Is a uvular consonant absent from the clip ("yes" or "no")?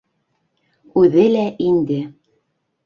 yes